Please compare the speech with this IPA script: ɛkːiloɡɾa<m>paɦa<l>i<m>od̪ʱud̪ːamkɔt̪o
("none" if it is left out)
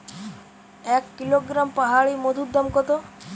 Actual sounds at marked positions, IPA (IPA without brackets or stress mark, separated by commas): m, ɭ, m